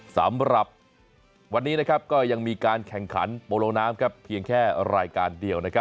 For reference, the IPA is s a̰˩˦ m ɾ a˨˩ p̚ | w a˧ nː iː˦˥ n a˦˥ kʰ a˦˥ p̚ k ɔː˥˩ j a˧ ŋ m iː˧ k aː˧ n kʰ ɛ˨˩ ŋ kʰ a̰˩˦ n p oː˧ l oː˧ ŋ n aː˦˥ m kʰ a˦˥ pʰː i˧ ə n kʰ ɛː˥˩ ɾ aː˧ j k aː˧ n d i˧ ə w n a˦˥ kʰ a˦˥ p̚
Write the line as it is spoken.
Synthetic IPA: s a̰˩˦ m ɾ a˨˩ p̚ | w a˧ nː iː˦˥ n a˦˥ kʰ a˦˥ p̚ k ɔː˥˩ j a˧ ŋ m iː˧ k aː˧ n kʰ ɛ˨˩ ŋ kʰ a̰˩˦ n p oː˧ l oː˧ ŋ n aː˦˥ m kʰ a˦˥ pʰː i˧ ə ŋ kʰ ɛː˥˩ ɾ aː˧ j k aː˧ n d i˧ ə w n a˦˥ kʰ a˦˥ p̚